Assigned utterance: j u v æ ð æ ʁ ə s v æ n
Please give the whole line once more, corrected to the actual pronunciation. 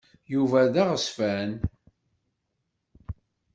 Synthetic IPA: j u v æ ð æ ʁ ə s f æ n

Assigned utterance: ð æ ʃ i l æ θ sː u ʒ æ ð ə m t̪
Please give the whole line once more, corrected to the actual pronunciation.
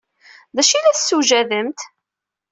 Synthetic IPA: ð æ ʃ i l æ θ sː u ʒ æ ð ə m t̪

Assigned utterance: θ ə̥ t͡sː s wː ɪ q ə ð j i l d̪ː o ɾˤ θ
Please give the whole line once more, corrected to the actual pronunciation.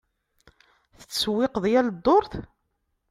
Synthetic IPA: θ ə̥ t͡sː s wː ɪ q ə ð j æ l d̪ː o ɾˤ θ

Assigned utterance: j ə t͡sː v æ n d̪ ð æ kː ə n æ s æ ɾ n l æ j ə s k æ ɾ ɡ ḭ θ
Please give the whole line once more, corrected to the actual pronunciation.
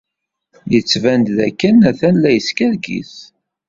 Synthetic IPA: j ə t͡sː v æ n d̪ ð æ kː ə n æ θ æ n l æ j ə s k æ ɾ ɡ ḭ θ

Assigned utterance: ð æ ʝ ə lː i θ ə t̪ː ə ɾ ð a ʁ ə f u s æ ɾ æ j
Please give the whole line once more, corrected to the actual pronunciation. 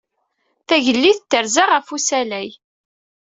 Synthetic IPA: θ æ ʝ ə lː i θ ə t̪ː ə ɾ z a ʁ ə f u s æ l æ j

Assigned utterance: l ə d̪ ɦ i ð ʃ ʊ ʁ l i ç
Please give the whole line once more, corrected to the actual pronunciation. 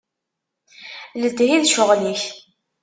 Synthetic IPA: l ə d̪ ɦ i ð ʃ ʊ ʁ l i ç

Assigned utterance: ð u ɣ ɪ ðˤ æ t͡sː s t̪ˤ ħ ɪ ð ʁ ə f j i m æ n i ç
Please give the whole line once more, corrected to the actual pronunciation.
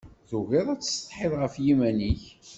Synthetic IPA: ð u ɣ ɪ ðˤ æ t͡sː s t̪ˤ ħ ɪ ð ʁ ə f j i m æ n i ç

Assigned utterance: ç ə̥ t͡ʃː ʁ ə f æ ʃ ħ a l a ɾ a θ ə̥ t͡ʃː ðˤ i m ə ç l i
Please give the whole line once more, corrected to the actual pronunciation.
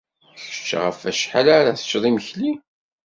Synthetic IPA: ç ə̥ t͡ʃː ʁ ə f æ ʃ ħ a l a ɾ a θ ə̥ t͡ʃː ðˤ i m ə ç l i

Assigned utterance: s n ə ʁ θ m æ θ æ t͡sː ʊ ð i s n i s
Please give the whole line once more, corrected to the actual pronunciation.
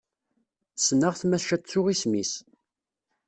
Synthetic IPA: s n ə ʁ θ m æ ʃ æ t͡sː ʊ ʁ i s m i s

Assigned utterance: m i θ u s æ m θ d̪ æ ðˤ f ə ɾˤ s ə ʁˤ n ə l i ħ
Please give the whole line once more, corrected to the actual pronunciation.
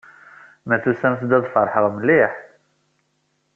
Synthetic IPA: m æ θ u s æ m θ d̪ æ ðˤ f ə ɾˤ ħ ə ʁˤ m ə l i ħ

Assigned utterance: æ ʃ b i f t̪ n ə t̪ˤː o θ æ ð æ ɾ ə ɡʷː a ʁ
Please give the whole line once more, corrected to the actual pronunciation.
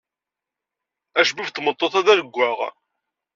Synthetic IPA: æ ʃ b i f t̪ m ə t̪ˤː o θ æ ð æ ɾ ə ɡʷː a ʁ

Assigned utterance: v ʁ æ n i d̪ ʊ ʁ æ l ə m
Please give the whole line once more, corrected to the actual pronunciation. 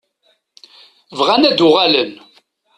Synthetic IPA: v ʁ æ n æ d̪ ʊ ʁ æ l ə n

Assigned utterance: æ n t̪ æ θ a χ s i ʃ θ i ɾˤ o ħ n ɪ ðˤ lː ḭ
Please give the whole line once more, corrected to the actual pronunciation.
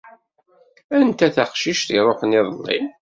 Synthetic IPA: æ n t̪ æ θ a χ ʃ i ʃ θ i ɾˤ o ħ n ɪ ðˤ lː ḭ

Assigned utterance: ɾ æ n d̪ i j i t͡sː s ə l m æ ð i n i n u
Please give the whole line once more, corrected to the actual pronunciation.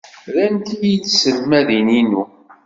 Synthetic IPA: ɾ æ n t̪ i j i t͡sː s ə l m æ ð i n i n u

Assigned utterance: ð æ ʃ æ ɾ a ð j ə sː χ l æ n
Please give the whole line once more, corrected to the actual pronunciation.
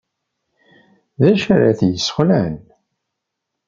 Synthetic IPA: ð æ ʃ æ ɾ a θ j ə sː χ l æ n

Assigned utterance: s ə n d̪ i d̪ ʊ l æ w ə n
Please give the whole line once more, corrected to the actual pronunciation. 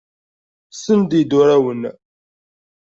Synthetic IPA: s ə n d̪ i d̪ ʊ ɾ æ w ə n

